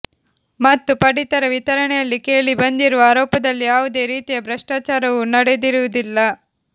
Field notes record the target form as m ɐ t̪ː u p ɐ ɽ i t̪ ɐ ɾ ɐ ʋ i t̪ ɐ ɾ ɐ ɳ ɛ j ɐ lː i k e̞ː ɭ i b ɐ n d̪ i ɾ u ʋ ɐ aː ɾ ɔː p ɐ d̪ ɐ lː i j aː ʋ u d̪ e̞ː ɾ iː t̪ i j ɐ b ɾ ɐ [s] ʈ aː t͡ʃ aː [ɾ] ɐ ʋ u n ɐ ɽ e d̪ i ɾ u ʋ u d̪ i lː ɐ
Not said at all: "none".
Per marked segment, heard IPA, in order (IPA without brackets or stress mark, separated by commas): ʂ, ɾ